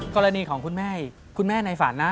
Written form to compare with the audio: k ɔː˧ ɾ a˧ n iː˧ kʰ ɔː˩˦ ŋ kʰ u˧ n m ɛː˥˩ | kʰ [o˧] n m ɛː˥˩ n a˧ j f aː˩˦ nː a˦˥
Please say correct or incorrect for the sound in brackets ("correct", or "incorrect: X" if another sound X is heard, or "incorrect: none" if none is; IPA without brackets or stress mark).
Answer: incorrect: u˧